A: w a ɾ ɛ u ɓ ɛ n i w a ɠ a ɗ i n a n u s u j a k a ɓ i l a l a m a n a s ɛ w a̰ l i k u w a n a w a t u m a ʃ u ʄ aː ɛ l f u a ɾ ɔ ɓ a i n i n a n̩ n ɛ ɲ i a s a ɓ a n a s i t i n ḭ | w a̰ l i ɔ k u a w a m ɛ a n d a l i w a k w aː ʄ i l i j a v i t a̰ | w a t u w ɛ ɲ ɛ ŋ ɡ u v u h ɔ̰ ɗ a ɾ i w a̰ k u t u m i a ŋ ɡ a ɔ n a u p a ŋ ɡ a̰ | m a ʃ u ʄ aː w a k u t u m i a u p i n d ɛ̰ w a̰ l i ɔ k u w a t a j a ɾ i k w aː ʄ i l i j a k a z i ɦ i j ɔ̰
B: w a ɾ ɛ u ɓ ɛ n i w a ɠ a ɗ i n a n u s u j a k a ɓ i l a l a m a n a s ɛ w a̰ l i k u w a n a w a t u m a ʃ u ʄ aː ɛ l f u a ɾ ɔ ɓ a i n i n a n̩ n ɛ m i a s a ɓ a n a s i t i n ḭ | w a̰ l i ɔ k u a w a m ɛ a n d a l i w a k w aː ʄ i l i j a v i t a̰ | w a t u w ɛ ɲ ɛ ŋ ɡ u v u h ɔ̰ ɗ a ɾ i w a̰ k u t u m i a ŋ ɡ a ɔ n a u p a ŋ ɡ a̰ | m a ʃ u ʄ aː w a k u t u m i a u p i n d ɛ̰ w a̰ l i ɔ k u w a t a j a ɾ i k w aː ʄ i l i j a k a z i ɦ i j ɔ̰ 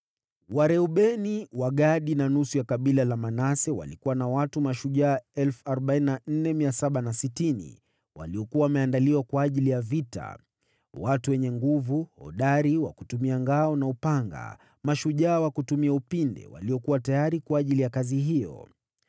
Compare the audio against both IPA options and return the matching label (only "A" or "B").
B